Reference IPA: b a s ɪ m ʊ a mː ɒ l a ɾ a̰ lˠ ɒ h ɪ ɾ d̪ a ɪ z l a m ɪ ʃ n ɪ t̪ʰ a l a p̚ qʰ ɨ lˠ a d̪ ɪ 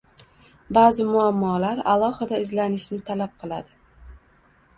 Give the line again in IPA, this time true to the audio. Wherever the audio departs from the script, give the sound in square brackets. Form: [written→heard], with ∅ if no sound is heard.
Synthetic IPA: b a [s→z] ɪ m ʊ a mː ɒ l a ɾ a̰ lˠ ɒ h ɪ [ɾ→∅] d̪ a ɪ z l a [m→n] ɪ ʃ n ɪ t̪ʰ a l a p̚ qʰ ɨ lˠ a d̪ ɪ